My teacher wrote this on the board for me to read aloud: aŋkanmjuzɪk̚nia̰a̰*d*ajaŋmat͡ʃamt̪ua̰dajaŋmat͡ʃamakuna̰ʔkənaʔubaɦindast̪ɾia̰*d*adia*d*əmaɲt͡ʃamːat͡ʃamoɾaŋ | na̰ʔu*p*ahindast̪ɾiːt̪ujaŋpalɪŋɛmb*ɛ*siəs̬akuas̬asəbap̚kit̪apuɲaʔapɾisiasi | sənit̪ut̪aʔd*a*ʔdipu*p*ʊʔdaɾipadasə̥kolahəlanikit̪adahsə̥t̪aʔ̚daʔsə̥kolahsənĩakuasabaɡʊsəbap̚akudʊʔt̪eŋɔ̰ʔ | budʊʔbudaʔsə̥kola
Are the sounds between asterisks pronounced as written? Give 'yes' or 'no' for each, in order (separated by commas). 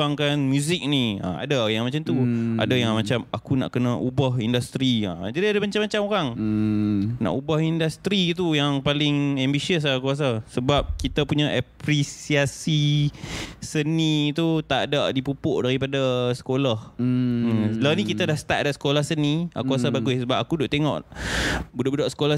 yes, no, yes, no, no, yes, yes